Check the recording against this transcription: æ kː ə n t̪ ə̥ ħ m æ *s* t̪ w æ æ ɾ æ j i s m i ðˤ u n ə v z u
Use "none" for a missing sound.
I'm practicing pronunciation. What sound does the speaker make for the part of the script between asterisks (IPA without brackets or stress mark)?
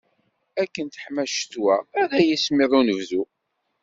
ʃ